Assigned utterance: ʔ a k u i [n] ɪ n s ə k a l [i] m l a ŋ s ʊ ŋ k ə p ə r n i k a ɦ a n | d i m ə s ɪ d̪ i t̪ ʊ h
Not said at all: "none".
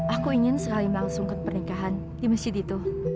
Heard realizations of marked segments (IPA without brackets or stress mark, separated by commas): ŋ, i